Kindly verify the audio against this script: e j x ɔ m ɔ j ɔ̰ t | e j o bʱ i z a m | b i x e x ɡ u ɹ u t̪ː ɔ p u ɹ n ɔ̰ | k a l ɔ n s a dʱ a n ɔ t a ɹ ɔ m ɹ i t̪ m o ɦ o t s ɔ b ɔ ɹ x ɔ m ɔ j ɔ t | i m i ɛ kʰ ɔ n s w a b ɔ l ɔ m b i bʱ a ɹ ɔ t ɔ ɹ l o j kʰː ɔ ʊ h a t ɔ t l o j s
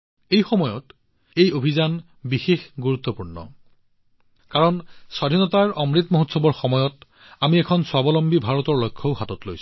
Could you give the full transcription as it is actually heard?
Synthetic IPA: e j x ɔ m ɔ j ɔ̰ t | e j o bʱ i z a n | b i x e x ɡ u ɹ u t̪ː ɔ p u ɹ n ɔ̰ | k a ɹ ɔ n s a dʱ i n ɔ t a ɹ ɔ m ɹ i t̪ m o ɦ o t s ɔ b ɔ ɹ x ɔ m ɔ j ɔ t | a m i ɛ kʰ ɔ n s w a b ɔ l ɔ m b i bʱ a ɹ ɔ t ɔ ɹ l o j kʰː ɔ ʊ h a t ɔ t l o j s

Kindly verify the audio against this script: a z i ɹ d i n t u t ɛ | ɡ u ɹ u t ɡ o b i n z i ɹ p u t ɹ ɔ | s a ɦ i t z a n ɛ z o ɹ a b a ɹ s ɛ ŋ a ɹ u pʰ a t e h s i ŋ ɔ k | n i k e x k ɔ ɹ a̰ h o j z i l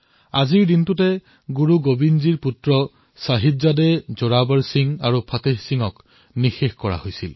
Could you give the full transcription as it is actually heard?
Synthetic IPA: a z i ɹ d i n t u t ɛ | ɡ u ɹ u ɡ o b i n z i ɹ p u t ɹ ɔ | s a ɦ i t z a d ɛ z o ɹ a b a ɹ s i ŋ a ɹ u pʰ a t e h s i ŋ ɔ k | n i x e x k ɔ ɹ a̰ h o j s i l

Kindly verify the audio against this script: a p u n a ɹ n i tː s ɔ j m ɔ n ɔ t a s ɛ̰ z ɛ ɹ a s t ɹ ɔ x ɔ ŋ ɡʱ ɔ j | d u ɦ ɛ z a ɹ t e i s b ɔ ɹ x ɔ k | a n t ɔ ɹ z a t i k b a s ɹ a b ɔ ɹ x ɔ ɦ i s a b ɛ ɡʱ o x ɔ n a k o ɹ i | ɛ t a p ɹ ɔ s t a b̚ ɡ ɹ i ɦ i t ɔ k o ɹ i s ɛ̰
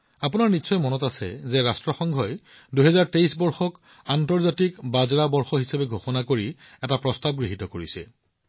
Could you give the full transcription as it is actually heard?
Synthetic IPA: a p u n a ɹ n i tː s ɔ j m ɔ n ɔ t a s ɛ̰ z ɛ ɹ a s t ɹ ɔ x ɔ ŋ ɡʱ ɔ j | d u ɦ ɛ z a ɹ t e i s b ɔ ɹ x ɔ k | a n t ɔ ɹ z a t i k b a z ɹ a b ɔ ɹ x ɔ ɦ i s a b ɛ ɡʱ o x ɔ n a k o ɹ i | ɛ t a p ɹ ɔ s t a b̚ ɡ ɹ i ɦ i t ɔ k o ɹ i s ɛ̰

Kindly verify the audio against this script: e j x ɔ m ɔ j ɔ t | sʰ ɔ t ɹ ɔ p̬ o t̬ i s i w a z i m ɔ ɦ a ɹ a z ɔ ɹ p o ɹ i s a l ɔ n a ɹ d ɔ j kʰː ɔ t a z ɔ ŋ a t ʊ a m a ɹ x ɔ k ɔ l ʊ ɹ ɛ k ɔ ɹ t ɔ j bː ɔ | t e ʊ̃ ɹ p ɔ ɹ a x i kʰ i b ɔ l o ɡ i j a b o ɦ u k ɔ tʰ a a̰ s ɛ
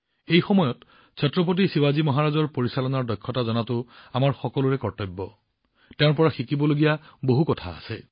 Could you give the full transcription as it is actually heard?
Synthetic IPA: e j x ɔ m ɔ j ɔ t | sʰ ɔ t ɹ ɔ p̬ o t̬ i s i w a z i m ɔ ɦ a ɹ a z ɔ ɹ p o ɹ i s a l ɔ n a ɹ d ɔ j kʰː ɔ t a z ɔ n a t ʊ a m a ɹ x ɔ k ɔ l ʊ ɹ ɛ k ɔ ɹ t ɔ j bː ɔ | t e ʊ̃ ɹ p ɔ ɹ a x i k i b ɔ l o ɡ i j a b o ɦ u k ɔ tʰ a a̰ s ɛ

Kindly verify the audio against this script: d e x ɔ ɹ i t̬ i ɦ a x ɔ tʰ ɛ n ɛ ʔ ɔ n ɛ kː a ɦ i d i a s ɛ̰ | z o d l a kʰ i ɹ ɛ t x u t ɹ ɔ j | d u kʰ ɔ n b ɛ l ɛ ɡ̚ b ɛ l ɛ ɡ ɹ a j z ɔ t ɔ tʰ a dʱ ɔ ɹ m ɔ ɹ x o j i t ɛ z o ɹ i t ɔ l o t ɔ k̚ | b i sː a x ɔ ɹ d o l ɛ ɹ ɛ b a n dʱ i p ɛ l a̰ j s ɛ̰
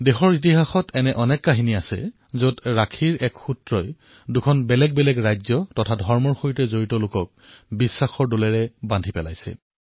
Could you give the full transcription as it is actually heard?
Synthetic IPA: d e x ɔ ɹ i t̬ i ɦ a x ɔ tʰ ɛ n ɛ ʔ ɔ n ɛ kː a ɦ i n i a s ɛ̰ | z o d ɹ a kʰ i ɹ ɛ k x u t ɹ ɔ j | d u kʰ ɔ n b ɛ l ɛ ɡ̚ b ɛ l ɛ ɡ ɹ a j z ɔ t ɔ tʰ a dʱ ɔ ɹ m ɔ ɹ x o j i t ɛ z o ɹ i t ɔ l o k ɔ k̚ | b i sː a x ɔ ɹ d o l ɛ ɹ ɛ b a n dʱ i p ɛ l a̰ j s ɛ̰

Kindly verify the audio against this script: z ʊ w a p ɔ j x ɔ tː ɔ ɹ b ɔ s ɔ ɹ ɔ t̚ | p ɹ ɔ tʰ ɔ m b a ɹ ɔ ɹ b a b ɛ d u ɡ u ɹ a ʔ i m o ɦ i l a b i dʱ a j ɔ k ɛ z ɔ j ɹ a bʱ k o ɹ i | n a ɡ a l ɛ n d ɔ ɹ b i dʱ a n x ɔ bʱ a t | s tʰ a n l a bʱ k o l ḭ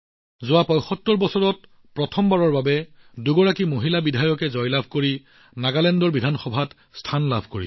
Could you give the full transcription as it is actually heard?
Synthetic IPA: z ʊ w a p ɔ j x ɔ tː ɔ ɹ b ɔ s ɔ ɹ ɔ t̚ | p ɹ ɔ tʰ ɔ m b a ɹ ɔ ɹ b a b ɛ d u ɡ ɔ ɹ a k i m o ɦ i l a b i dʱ a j ɔ k ɛ z ɔ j l a bʱ k o ɹ i | n a ɡ a l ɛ n d ɔ ɹ b i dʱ a n x ɔ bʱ a t | s tʰ a n l a bʱ k o ɹ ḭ

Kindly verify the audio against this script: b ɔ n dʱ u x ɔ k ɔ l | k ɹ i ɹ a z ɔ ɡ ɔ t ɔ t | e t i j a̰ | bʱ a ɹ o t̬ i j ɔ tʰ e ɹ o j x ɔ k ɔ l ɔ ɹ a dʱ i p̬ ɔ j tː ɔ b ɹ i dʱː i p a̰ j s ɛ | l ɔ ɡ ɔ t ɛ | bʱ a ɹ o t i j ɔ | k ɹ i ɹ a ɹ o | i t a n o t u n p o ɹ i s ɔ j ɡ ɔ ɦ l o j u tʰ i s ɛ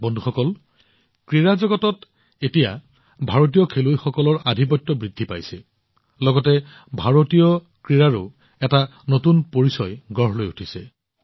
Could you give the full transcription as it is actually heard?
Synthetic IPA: b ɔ n dʱ u x ɔ k ɔ l | k ɹ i ɹ a z ɔ ɡ ɔ t ɔ t | e t i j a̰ | bʱ a ɹ o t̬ i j ɔ kʰ e l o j x ɔ k ɔ l ɔ ɹ a dʱ i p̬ ɔ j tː ɔ b ɹ i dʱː i p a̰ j s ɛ | l ɔ ɡ ɔ t ɛ | bʱ a ɹ o t i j ɔ | k ɹ i ɹ a ɹ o | ɛ t a n o t u n p o ɹ i s ɔ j ɡ ɔ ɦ l o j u tʰ i s ɛ

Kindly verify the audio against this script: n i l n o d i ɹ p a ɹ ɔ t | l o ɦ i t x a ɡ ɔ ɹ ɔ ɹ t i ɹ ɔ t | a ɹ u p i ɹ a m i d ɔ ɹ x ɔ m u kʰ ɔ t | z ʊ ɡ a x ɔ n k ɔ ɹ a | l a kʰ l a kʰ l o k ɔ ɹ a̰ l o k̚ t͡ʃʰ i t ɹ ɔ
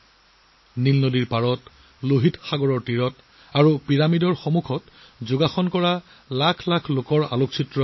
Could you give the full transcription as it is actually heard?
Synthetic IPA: n i l n o d i ɹ p a ɹ ɔ t | l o ɦ i t x a ɡ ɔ ɹ ɔ ɹ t i ɹ ɔ t | a ɹ u p i ɹ a m i d ɔ ɹ x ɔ m u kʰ ɔ t | z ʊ ɡ a x ɔ n k ɔ ɹ a | l a kʰ l a kʰ l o k ɔ ɹ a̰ l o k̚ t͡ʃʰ i t ɹ ɔ

